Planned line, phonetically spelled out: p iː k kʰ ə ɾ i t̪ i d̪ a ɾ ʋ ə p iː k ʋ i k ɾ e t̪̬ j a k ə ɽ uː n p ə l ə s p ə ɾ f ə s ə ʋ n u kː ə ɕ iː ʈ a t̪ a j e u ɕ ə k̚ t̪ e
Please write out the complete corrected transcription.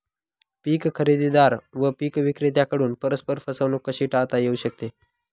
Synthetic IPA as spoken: p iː k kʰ ə ɾ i d̪ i d̪ a ɾ ʋ ə p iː k ʋ i k ɾ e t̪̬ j a k ə ɽ uː n p ə ɾ ə s p ə ɾ f ə s ə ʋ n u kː ə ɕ iː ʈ a t̪ a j e u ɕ ə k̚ t̪ e